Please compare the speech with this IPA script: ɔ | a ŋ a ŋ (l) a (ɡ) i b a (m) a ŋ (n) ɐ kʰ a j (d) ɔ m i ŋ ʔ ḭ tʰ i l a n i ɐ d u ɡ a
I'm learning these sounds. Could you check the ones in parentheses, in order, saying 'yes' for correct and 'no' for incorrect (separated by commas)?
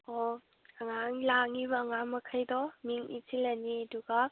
yes, no, no, no, yes